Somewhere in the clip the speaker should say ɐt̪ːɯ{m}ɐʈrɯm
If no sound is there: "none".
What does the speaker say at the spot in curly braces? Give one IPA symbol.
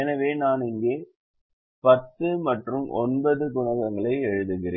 m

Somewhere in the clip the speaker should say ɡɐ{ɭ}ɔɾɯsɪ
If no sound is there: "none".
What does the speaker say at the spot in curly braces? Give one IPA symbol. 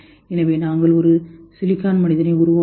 ɭ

